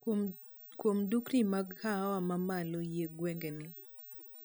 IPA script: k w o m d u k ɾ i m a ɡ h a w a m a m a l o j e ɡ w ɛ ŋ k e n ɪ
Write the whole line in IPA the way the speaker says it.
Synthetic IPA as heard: k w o m d u k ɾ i m a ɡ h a w a m a m a l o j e ɡ w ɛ ŋ ɡ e n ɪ